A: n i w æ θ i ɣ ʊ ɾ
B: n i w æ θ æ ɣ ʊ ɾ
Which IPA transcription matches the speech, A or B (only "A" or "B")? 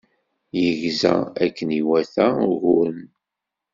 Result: B